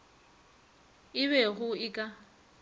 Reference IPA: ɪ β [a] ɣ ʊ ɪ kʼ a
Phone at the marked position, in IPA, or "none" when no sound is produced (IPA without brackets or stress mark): ɛ